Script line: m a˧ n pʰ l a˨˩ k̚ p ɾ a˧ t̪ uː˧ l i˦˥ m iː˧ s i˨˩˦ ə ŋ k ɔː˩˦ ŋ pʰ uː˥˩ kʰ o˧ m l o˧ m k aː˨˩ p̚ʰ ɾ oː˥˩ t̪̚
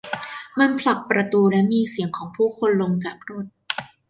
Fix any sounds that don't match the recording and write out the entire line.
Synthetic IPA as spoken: m a˧ n pʰ l a˨˩ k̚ p ɾ a˧ t̪ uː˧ l ɛ˦˥ m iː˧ s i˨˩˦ ə ŋ kʰ ɔː˩˦ ŋ pʰ uː˥˩ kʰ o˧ n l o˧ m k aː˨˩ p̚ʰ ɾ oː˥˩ t̪̚